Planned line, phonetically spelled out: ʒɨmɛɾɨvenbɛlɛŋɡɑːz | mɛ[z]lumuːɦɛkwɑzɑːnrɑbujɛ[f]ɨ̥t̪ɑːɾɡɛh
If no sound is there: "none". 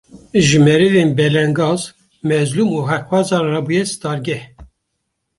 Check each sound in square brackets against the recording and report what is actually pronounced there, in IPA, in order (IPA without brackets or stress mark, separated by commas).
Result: z, s